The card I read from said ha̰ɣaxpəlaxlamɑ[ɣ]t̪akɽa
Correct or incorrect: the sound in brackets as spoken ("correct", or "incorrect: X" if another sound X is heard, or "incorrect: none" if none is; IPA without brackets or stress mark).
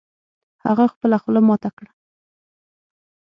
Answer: incorrect: none